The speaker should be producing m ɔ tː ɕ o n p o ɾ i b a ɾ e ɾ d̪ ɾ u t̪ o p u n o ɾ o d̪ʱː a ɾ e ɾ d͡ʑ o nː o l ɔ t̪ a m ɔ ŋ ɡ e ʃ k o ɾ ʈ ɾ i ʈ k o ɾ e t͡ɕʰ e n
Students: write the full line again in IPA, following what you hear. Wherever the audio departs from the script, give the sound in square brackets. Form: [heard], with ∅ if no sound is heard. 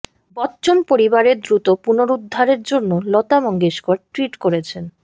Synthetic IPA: [b] ɔ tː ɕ o n p o ɾ i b a ɾ e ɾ d̪ ɾ u t̪ o p u n o ɾ [u] d̪ʱː a ɾ e ɾ d͡ʑ o nː o l ɔ t̪ a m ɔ ŋ ɡ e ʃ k o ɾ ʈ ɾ i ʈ k o ɾ e t͡ɕʰ e n